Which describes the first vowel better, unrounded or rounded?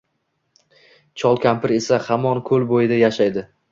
rounded